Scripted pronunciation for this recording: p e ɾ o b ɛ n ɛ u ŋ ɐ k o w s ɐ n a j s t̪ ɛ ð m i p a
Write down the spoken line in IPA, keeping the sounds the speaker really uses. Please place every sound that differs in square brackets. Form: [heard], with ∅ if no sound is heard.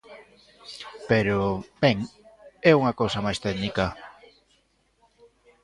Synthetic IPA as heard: p e ɾ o b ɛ [ŋ] ɛ u ŋ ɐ k o w s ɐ [m] a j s t̪ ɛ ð [n] i [k] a